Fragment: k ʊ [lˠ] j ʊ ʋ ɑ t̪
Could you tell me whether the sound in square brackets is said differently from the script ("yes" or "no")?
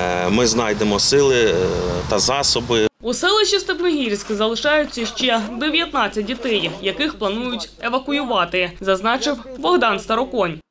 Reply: yes